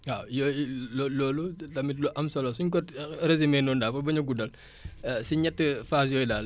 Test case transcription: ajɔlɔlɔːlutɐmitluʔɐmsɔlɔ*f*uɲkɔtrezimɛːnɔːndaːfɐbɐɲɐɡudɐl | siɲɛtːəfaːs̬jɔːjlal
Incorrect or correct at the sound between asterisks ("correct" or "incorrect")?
incorrect